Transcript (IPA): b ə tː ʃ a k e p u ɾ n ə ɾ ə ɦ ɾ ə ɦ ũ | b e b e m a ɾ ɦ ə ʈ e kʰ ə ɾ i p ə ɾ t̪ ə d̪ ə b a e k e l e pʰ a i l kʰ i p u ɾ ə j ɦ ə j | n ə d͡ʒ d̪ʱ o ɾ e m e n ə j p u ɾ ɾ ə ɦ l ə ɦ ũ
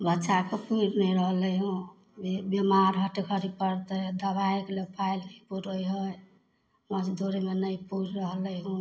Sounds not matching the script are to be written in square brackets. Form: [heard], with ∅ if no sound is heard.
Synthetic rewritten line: b ə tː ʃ a k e p u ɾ n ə ɾ ə ɦ [l] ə ɦ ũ | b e b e m a ɾ ɦ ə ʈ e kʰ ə ɾ i p ə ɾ t̪ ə d̪ ə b a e k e l e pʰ a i l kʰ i p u ɾ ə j ɦ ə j | [m] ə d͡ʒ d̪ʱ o ɾ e m e n ə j p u ɾ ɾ ə ɦ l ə ɦ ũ